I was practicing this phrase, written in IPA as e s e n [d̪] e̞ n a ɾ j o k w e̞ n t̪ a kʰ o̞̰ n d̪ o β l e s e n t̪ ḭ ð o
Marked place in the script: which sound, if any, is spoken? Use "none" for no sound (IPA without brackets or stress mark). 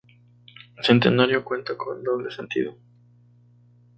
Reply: t̪